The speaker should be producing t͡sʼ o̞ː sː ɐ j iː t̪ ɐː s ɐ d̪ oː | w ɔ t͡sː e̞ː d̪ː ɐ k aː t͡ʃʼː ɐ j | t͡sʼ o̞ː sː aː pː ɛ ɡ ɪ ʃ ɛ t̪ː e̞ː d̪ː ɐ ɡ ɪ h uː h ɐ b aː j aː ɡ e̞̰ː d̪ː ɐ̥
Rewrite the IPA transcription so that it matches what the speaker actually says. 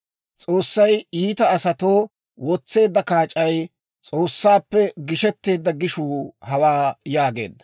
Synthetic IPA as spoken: t͡sʼ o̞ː sː ɐ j iː t̪ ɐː s ɐ t̪ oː | w ɔ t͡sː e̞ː d̪ː ɐ k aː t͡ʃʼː ɐ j | t͡sʼ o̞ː sː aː pː ɛ ɡ ɪ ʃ ɛ t̪ː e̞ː d̪ː ɐ ɡ ɪ ʃ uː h ɐ w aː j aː ɡ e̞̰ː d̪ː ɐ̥

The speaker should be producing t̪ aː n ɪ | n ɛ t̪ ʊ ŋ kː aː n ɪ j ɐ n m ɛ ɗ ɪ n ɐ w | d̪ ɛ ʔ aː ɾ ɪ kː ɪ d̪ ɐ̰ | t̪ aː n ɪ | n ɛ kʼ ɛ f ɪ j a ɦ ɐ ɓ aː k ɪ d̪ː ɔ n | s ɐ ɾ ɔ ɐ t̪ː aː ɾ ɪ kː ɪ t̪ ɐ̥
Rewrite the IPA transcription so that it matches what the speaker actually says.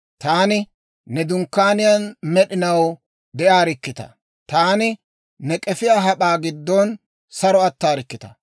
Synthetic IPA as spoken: t̪ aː n ɪ | n ɛ d̪ ʊ ŋ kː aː n ɪ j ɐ n m ɛ ɗ ɪ n ɐ w | d̪ ɛ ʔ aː ɾ ɪ kː ɪ t̪ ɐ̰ | t̪ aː n ɪ | n ɛ kʼ ɛ f ɪ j a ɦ ɐ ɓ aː ɡ ɪ d̪ː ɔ n | s ɐ ɾ ɔ ɐ t̪ː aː ɾ ɪ kː ɪ t̪ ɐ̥

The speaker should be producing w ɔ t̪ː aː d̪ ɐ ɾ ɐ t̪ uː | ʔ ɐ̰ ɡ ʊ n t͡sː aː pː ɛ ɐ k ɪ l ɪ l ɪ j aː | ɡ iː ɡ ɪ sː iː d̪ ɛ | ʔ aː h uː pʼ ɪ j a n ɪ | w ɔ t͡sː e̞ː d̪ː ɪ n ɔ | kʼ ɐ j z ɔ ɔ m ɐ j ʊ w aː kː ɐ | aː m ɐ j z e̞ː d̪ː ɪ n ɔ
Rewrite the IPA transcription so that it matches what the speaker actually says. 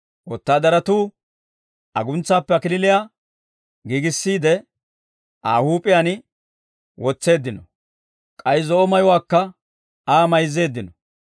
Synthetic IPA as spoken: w ɔ t̪ː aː d̪ ɐ ɾ ɐ t̪ uː | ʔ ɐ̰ ɡ ʊ n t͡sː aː pː ɛ ɐ k ɪ l ɪ l ɪ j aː | ɡ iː ɡ ɪ sː iː d̪ ɛ | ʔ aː h uː pʼ ɪ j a n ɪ | w ɔ t͡sː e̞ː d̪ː ɪ n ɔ | kʼ ɐ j z ɔ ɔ m ɐ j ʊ w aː kː ɐ | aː m ɐ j z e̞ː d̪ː ɪ n ɔ

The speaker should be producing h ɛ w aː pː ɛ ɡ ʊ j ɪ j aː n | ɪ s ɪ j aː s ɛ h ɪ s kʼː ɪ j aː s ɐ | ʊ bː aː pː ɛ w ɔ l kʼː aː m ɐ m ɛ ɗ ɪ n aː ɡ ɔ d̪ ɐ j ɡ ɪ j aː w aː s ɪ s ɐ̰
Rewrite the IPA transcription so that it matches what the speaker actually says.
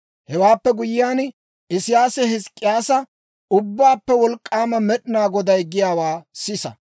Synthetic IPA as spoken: h ɛ w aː pː ɛ ɡ ʊ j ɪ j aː n | ɪ s ɪ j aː s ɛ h ɪ s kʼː ɪ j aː s ɐ | ʊ bː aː pː ɛ w ɔ l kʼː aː m ɐ m ɛ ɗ ɪ n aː ɡ ɔ d̪ ɐ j ɡ ɪ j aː w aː s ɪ s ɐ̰

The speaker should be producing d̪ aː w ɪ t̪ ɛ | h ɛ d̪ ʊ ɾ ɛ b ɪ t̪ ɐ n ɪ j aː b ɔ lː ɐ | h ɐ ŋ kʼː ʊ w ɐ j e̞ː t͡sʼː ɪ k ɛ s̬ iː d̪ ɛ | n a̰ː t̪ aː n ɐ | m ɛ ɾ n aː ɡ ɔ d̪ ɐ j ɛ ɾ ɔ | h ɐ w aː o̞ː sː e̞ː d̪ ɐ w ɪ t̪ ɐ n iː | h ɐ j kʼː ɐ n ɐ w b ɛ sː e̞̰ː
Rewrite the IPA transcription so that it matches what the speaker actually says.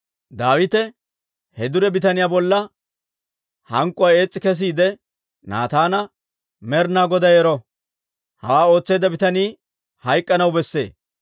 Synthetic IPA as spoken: d̪ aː w ɪ t̪ ɛ | h ɛ d̪ ʊ ɾ ɛ b ɪ t̪ ɐ n ɪ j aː b ɔ lː ɐ | h ɐ ŋ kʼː ʊ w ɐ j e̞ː t͡sʼː ɪ k ɛ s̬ iː d̪ ɛ | n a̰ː t̪ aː n ɐ | m ɛ ɾ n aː ɡ ɔ d̪ ɐ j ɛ ɾ ɔ | h ɐ w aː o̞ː t͡sː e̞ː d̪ ɐ b ɪ t̪ ɐ n iː | h ɐ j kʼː ɐ n ɐ w b ɛ sː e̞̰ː

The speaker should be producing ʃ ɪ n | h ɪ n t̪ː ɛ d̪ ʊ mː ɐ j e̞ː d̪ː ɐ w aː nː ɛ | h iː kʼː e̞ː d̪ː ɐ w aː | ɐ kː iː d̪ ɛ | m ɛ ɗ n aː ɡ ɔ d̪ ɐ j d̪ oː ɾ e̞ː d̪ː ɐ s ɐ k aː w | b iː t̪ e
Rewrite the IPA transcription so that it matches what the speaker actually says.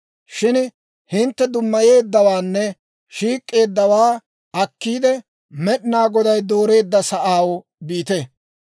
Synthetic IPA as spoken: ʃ ɪ n | h ɪ n t̪ː ɛ d̪ ʊ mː ɐ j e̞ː d̪ː ɐ w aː nː ɛ | ʃ iː kʼː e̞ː d̪ː ɐ w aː | ɐ kː iː d̪ ɛ | m ɛ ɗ n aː ɡ ɔ d̪ ɐ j d̪ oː ɾ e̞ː d̪ː ɐ s ɐ ʔ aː w | b iː t̪ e

